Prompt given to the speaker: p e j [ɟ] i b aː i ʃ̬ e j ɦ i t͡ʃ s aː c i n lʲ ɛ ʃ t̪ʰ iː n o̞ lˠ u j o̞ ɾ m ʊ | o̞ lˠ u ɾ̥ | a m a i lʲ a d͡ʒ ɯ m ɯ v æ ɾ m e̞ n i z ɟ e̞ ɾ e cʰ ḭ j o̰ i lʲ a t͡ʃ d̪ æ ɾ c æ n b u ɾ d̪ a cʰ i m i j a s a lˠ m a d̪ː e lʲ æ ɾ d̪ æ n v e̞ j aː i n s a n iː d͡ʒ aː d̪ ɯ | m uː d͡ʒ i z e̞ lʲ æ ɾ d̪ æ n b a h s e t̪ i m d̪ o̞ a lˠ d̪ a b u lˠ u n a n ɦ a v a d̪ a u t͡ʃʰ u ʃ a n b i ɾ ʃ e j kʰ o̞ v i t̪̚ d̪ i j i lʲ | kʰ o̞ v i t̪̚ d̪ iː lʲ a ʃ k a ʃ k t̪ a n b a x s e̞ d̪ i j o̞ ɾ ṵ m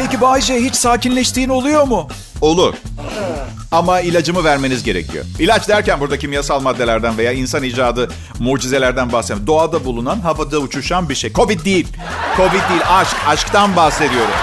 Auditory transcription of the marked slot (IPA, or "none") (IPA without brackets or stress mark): c